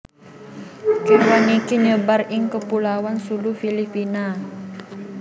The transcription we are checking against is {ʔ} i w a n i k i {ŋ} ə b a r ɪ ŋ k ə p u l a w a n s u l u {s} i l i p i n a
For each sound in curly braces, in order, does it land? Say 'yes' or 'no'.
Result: no, no, no

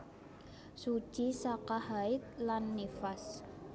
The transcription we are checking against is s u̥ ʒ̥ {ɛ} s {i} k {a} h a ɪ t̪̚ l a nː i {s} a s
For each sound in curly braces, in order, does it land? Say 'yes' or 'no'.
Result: no, no, yes, no

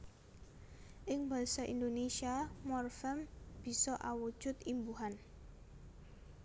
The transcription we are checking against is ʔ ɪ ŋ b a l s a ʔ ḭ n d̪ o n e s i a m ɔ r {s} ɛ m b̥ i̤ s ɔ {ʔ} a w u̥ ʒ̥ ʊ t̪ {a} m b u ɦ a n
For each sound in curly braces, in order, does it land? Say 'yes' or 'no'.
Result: no, yes, no

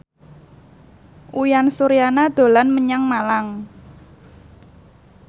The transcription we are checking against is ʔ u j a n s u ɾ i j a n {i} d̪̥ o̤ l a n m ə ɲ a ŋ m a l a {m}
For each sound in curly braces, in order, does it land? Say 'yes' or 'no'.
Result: no, no

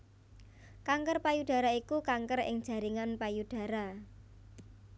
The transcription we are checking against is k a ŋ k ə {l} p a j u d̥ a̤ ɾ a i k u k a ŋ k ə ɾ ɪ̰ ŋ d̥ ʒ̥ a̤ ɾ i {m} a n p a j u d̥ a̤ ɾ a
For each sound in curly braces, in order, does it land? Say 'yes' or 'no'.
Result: no, no

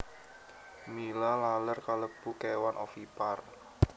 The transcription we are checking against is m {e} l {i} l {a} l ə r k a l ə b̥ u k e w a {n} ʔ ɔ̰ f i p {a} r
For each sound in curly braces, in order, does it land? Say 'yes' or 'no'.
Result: no, no, yes, yes, yes

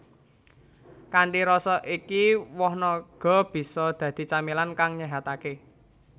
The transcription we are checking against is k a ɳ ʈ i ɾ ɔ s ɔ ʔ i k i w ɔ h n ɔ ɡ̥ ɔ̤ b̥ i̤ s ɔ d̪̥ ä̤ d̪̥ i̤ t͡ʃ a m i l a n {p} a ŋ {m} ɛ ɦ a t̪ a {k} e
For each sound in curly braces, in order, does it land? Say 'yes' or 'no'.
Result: no, no, yes

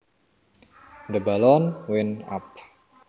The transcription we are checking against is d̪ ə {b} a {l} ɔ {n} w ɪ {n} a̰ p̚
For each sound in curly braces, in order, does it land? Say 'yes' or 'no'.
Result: yes, yes, yes, yes

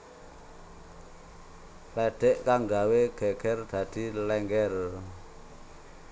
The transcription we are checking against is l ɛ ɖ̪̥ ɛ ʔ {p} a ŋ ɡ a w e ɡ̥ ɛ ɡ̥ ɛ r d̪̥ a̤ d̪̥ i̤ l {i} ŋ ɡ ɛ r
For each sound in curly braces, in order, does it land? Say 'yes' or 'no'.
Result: no, no

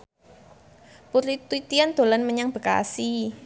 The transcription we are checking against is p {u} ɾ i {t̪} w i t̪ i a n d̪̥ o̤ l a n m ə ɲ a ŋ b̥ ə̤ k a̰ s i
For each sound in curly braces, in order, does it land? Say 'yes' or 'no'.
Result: yes, yes

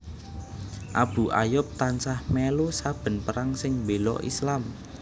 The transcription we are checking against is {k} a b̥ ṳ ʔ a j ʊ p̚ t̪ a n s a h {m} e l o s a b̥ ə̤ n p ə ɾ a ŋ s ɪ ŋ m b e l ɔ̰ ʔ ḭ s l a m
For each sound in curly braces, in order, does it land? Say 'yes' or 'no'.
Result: no, yes

